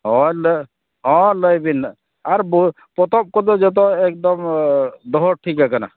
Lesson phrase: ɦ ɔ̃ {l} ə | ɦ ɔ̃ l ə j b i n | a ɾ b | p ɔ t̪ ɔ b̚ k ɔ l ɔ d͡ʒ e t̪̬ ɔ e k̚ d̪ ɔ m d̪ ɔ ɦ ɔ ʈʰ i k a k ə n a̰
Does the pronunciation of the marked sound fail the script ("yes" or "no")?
no